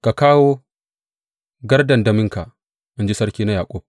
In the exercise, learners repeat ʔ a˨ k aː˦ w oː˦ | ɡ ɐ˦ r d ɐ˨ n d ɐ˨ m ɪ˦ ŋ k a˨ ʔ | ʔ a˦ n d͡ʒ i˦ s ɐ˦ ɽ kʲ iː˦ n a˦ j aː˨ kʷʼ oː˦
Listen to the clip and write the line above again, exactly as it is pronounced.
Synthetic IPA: k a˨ k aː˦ w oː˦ | ɡ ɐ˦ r d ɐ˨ n d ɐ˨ m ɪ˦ ŋ k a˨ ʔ | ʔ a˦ n d͡ʒ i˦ s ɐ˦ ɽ kʲ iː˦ n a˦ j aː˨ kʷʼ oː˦